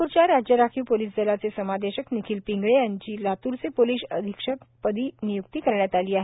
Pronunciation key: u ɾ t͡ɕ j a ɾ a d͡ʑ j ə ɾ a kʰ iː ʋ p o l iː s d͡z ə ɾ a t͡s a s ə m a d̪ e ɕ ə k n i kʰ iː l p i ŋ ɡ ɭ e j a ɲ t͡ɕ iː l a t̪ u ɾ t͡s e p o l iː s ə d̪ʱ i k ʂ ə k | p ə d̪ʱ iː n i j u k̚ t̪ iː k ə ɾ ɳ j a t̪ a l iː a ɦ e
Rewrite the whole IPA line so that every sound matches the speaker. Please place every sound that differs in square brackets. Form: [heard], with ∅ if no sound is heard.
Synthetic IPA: u ɾ t͡ɕ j a ɾ a d͡ʑ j ə ɾ a kʰ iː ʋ p o l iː s d͡z ə [l] a t͡s [e] s ə m a d̪ e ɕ ə k n i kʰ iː l p i ŋ ɡ ɭ e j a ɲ t͡ɕ iː l a t̪ u ɾ t͡s e p o l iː s ə d̪ʱ i k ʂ ə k | p ə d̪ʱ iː n i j u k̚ t̪ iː k ə ɾ ɳ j a t̪ a l iː a ɦ e